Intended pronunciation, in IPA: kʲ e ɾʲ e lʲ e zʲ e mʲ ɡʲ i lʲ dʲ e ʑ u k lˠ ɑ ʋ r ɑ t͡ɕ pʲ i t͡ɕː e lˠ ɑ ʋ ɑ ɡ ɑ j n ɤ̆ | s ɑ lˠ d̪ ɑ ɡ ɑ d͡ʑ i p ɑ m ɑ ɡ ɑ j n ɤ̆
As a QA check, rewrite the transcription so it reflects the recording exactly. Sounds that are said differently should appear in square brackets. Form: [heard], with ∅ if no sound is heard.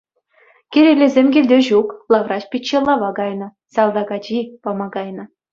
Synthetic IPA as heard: kʲ e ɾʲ e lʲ e zʲ e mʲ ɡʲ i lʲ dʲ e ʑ u k lˠ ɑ ʋ r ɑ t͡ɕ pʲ i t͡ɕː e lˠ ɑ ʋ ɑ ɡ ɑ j n ɤ̆ | s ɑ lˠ d̪ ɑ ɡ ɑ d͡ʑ i p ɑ m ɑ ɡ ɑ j n ɤ̆